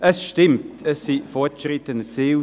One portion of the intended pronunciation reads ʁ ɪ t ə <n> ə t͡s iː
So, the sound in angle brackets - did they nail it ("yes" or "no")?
yes